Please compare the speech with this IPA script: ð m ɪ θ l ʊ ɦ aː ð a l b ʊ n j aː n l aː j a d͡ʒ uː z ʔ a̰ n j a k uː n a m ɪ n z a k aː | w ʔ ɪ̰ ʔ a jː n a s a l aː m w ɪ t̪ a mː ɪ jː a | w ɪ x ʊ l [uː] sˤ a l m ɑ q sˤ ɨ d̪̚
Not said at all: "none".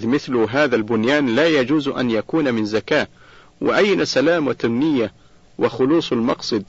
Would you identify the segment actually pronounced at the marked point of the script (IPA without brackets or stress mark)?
uː